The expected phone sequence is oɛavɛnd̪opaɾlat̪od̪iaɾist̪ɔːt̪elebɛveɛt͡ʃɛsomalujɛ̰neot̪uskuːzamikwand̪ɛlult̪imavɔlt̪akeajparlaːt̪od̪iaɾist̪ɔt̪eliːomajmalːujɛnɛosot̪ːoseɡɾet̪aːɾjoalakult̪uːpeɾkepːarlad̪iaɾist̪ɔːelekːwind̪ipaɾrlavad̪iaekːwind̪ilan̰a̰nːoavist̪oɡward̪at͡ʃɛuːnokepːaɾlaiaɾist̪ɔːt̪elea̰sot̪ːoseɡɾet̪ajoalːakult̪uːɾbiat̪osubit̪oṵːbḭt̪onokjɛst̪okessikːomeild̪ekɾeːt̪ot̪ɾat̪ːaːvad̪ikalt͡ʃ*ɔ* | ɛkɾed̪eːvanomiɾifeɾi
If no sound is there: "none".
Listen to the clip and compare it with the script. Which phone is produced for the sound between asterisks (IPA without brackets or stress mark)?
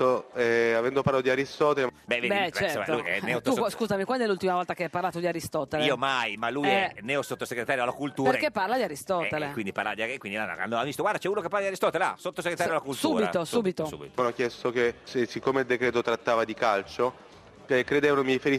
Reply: o